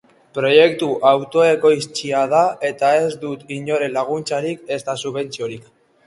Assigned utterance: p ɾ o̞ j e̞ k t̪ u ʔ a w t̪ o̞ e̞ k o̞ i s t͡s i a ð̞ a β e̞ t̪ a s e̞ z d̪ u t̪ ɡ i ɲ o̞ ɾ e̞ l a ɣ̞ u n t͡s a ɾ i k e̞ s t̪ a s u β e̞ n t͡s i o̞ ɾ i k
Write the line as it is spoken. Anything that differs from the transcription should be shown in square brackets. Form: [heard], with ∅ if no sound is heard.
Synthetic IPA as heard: p ɾ o̞ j e̞ k t̪ u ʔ a w t̪ o̞ e̞ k o̞ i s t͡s i a ð̞ a [∅] e̞ t̪ a [∅] e̞ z d̪ u t̪ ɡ i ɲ o̞ ɾ e̞ l a ɣ̞ u n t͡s a ɾ i k e̞ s t̪ a s u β e̞ n t͡s i o̞ ɾ i k